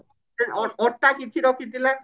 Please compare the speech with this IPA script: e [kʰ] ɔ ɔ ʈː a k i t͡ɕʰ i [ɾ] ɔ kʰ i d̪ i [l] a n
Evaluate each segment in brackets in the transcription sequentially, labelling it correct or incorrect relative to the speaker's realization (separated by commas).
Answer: incorrect, correct, correct